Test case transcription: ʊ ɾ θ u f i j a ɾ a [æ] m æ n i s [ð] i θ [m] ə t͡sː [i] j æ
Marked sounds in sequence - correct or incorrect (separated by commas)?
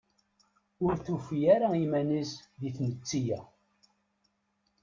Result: incorrect, correct, incorrect, correct